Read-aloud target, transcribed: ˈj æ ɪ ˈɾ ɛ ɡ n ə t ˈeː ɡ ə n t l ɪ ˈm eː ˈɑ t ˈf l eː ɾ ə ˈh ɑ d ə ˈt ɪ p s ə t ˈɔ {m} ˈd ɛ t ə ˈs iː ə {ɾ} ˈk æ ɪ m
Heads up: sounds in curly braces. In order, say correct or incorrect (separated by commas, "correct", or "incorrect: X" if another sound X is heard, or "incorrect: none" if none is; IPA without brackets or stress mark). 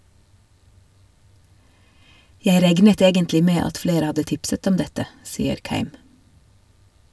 correct, correct